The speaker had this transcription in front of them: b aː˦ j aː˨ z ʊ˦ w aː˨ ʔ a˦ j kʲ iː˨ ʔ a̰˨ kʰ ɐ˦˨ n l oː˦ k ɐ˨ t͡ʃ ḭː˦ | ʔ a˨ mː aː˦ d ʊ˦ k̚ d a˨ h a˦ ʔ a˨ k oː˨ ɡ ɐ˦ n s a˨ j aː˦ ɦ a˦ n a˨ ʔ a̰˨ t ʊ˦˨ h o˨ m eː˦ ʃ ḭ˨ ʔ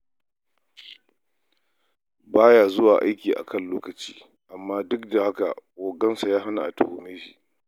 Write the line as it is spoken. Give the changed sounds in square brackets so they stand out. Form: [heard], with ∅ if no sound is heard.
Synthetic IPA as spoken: b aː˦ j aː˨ z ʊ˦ w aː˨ ʔ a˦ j kʲ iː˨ ʔ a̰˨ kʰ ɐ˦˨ n l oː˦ k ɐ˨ t͡ʃ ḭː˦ | ʔ a˨ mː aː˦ d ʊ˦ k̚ d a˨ h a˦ [k] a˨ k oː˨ ɡ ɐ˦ n s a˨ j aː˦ ɦ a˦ n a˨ ʔ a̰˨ t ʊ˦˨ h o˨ m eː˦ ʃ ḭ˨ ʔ